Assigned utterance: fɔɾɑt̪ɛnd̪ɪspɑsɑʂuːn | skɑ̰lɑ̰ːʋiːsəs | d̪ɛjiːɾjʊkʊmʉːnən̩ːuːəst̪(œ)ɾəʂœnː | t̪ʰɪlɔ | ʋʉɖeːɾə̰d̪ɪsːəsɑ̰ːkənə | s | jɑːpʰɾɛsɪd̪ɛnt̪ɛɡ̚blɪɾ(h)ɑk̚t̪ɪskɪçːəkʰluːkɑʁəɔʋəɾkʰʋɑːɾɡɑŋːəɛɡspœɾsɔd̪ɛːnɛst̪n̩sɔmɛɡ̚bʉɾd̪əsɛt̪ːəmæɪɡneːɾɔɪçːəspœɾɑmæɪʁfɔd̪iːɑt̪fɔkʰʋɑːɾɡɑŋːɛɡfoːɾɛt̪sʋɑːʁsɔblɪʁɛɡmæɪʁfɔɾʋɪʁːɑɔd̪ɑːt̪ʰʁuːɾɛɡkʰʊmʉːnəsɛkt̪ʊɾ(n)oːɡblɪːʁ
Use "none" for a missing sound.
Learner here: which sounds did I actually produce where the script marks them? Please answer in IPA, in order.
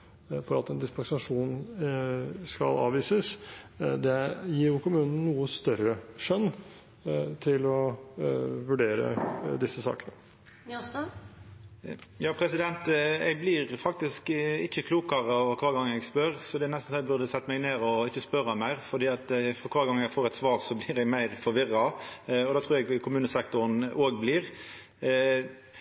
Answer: œ, f, n

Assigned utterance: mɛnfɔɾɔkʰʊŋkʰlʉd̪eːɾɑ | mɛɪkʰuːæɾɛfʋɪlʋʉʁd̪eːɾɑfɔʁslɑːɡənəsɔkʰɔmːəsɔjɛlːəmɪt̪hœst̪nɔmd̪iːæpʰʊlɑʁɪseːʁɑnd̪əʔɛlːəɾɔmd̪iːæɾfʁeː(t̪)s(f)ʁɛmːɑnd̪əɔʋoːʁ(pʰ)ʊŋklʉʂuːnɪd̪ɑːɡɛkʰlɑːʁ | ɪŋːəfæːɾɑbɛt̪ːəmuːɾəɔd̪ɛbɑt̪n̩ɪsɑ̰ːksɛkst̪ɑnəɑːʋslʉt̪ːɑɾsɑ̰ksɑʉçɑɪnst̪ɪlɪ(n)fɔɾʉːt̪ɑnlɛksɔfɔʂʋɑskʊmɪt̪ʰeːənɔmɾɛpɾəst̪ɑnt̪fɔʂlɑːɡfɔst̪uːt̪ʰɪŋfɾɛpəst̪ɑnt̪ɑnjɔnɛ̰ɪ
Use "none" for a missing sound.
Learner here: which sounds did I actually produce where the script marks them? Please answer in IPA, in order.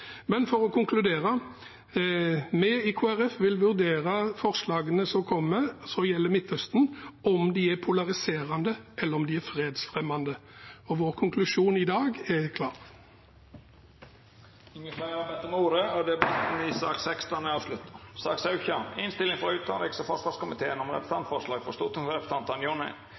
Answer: d̪, f, kʰ, ŋ

